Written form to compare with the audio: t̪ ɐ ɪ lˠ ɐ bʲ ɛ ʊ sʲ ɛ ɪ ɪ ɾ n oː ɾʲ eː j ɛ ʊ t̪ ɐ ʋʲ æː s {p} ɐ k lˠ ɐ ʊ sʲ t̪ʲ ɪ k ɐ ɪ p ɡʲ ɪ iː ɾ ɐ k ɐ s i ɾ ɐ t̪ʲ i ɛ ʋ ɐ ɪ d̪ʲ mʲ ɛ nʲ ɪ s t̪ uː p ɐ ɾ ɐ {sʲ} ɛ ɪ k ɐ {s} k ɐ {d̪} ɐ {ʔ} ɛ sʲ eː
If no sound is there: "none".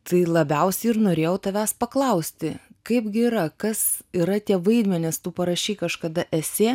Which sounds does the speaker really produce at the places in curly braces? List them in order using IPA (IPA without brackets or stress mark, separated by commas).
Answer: p, ʃʲ, ʃ, d̪, ʔ